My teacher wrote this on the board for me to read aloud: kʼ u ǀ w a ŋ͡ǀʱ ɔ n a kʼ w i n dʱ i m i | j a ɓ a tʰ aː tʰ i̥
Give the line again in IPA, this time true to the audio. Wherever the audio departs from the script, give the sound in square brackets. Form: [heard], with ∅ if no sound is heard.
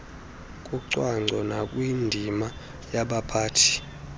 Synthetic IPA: kʼ u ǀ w a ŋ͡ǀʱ ɔ n a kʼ w i n dʱ i m [a] | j a ɓ a [pʰ] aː tʰ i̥